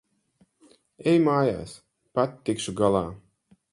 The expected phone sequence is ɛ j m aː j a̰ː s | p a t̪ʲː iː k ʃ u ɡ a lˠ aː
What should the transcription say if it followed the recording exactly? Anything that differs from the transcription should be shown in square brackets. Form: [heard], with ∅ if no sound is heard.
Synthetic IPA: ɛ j m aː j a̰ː s | p a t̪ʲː [i] k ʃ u ɡ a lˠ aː